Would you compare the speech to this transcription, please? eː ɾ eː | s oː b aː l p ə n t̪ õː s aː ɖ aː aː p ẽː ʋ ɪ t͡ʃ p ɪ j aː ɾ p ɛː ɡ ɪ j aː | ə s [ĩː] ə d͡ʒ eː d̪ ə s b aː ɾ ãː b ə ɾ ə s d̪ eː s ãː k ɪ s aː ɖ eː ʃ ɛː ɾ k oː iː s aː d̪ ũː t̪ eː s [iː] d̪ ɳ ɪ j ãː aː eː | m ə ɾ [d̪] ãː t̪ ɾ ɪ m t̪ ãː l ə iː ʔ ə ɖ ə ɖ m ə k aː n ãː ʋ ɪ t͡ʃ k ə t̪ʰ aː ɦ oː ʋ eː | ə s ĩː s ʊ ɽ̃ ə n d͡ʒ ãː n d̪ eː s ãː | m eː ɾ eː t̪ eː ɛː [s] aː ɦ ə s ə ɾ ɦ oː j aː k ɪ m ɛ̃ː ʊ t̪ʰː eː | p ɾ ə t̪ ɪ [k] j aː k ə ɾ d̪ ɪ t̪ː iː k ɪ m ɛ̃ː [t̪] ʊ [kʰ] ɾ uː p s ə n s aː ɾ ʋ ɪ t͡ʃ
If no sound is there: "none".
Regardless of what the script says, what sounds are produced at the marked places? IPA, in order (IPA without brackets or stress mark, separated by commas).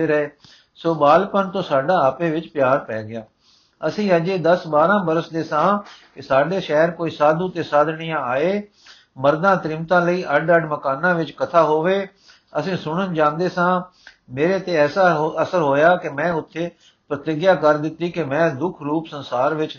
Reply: ĩː, aː, d̪, s, ɡ, d̪, kʰ